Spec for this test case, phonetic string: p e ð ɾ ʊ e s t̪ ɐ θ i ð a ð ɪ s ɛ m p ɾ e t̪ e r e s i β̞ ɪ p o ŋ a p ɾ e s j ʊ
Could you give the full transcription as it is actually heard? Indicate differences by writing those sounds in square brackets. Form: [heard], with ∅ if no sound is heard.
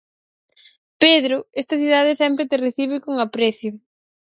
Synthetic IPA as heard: p e ð ɾ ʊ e s t̪ ɐ θ i ð a ð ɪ s ɛ m p ɾ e t̪ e r e [θ] i β̞ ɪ [k] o ŋ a p ɾ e [θ] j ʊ